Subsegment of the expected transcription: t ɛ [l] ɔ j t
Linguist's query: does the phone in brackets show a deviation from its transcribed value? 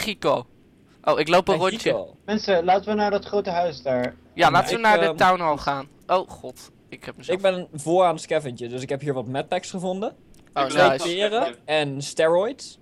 yes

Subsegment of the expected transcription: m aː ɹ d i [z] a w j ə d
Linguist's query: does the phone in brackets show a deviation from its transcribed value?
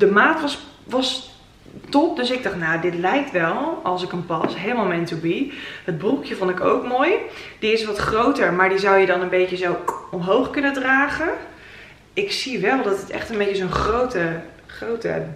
no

